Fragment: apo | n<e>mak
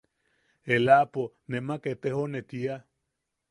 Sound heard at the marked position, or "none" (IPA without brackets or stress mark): e